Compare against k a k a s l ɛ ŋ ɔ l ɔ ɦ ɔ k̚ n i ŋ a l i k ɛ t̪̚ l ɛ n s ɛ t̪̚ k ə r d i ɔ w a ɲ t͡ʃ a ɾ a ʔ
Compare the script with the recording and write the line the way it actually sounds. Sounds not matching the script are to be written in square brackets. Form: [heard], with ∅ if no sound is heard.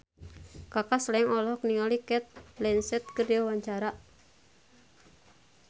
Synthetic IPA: k a k a s l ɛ ŋ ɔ l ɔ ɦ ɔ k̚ n i ŋ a l i k ɛ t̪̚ l ɛ n s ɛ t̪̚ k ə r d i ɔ w a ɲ t͡ʃ a ɾ a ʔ